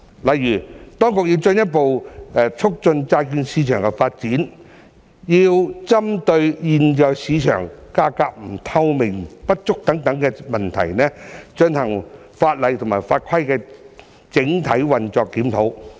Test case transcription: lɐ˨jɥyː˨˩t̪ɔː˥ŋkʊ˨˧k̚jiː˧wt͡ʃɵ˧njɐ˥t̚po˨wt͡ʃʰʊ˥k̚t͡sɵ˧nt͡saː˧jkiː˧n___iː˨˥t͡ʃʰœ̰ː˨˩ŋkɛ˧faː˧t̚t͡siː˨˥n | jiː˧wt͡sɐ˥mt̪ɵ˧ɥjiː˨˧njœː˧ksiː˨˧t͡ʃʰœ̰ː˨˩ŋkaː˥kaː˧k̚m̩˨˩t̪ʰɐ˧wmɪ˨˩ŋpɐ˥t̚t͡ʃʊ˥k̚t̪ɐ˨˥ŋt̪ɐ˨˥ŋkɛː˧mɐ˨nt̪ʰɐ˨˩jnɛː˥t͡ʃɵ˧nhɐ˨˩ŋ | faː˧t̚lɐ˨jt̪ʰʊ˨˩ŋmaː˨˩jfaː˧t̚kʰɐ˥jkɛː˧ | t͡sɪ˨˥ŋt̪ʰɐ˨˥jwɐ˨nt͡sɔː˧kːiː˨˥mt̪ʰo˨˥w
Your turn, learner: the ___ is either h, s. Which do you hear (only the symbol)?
s